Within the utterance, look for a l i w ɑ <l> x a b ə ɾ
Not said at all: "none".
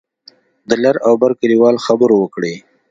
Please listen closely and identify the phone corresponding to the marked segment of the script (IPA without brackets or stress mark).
l